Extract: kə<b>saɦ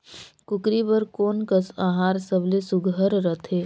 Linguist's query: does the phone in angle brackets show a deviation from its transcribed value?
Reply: yes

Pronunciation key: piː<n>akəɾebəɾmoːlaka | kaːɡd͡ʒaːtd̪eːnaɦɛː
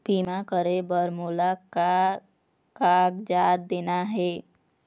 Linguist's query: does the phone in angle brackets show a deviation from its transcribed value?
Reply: yes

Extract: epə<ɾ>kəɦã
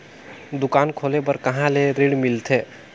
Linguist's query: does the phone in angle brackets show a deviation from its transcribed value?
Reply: no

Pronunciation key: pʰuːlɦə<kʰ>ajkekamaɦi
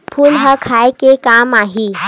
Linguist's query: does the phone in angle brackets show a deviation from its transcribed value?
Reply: no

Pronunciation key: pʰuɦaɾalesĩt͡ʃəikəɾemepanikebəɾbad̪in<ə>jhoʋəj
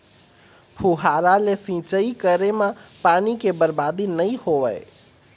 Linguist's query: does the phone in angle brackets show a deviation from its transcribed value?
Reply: no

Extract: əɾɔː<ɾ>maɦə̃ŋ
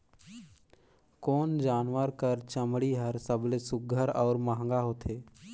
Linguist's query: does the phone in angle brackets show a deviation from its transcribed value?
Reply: no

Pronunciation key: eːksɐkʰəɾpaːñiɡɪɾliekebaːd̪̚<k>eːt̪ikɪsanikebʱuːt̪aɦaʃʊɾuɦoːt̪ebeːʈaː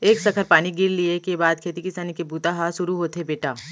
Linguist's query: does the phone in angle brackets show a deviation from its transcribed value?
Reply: yes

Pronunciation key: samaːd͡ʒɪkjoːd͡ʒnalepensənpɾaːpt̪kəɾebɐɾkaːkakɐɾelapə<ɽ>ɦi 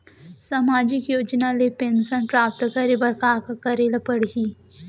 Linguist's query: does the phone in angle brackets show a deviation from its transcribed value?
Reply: no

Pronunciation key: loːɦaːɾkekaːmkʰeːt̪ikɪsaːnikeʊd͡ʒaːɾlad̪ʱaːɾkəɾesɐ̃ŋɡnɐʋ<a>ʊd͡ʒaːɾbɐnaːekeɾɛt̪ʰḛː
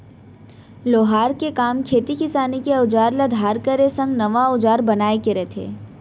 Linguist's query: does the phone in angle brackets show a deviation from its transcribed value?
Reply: no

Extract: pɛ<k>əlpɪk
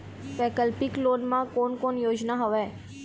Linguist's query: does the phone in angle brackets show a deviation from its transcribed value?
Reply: no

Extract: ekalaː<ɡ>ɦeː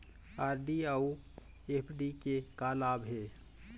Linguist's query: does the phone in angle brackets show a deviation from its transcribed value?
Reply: yes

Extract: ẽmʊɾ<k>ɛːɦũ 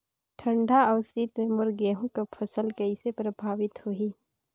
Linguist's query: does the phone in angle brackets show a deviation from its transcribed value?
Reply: yes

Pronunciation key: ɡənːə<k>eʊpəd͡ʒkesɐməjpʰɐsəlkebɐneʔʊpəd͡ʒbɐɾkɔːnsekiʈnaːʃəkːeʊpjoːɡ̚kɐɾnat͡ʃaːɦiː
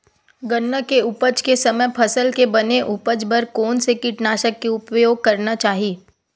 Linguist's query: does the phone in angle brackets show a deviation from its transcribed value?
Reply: no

